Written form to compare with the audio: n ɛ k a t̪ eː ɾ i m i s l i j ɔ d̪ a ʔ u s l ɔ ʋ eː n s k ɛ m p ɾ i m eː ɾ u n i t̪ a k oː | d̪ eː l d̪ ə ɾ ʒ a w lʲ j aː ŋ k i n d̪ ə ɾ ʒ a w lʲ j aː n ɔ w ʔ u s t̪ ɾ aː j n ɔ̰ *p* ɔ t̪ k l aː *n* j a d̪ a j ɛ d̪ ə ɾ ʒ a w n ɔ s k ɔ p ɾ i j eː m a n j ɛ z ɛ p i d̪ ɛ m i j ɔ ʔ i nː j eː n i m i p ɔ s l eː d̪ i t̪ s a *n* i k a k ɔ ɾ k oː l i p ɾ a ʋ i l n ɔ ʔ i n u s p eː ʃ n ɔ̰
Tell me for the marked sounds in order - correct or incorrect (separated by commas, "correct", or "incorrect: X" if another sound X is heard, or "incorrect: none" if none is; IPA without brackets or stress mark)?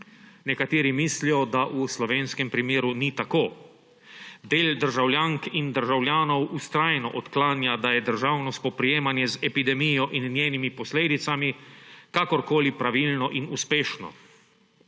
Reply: incorrect: ʔ, correct, incorrect: m